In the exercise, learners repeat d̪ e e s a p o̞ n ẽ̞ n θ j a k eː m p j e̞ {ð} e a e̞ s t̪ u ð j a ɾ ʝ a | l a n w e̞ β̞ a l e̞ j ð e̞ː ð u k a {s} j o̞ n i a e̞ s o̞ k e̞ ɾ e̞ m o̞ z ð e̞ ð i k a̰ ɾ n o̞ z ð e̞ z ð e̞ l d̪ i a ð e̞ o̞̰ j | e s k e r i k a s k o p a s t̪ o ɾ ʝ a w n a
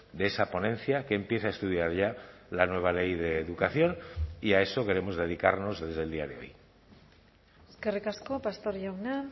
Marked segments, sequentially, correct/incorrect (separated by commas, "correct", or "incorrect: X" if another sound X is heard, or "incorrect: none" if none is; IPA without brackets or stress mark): incorrect: θ, incorrect: θ